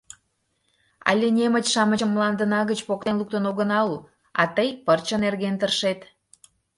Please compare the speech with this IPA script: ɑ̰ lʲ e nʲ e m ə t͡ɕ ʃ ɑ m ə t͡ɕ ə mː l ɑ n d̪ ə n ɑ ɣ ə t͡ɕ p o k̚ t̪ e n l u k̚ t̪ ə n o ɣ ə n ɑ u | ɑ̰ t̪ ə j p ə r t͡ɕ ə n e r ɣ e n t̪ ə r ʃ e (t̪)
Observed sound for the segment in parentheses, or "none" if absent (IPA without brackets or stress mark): t̪